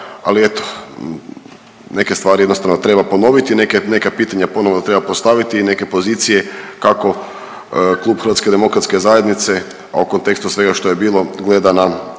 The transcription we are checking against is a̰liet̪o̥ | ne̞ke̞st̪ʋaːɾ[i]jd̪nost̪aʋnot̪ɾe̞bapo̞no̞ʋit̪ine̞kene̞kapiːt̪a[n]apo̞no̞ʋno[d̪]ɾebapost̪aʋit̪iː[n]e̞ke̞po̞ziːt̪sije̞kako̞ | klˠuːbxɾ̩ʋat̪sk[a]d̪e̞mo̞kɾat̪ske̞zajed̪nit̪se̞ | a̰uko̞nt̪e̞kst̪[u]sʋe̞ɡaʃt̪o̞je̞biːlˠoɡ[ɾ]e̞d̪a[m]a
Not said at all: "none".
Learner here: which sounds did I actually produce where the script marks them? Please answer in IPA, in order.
i, ɲ, t̪, n, e, u, l, n

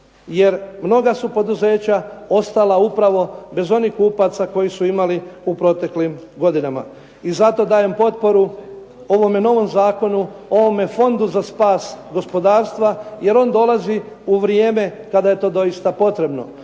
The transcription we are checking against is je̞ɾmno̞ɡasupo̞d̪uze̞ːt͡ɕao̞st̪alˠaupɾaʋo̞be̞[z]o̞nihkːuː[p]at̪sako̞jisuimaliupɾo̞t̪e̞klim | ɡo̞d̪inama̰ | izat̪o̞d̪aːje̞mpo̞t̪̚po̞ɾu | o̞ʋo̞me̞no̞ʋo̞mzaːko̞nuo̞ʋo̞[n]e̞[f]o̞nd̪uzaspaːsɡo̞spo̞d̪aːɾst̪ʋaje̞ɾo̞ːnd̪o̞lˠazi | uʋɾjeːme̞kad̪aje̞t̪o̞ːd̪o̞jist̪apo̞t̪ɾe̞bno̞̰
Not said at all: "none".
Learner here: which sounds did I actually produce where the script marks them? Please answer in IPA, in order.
z, p, m, f

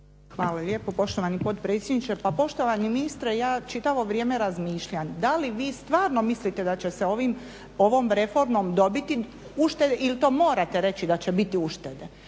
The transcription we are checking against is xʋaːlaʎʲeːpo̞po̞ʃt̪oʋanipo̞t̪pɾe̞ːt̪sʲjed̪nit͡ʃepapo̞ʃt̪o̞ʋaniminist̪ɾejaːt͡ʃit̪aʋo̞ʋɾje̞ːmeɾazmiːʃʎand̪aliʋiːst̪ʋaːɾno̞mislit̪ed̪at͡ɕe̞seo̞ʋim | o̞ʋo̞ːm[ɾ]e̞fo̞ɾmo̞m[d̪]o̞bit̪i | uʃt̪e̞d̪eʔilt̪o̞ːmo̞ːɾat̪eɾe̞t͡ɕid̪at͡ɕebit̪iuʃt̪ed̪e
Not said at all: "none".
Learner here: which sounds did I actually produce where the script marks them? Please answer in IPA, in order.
ɾ, d̪

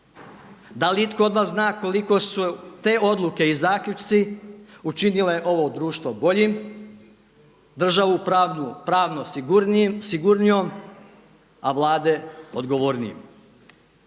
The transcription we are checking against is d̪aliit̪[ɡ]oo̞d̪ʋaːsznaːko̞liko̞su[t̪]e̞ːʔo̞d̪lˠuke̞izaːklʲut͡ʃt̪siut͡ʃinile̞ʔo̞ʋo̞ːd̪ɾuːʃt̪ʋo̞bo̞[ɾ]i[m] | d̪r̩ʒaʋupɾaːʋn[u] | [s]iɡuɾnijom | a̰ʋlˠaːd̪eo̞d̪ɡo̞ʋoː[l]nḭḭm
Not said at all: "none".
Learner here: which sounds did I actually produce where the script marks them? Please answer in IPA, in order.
k, t̪, ʎ, m, o, s, ɾ

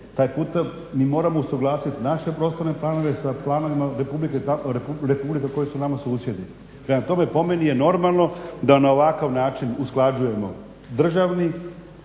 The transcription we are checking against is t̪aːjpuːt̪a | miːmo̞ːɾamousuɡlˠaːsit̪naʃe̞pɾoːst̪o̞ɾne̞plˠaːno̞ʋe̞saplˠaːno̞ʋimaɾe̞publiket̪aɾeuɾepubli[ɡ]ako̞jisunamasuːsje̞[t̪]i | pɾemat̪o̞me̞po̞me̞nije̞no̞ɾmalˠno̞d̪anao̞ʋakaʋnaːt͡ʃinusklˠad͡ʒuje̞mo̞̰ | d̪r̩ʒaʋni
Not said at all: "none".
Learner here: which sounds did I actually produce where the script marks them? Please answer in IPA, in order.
k, d̪

